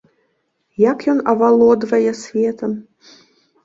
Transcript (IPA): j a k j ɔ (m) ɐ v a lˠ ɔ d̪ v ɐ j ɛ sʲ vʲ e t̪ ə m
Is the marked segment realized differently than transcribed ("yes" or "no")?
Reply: yes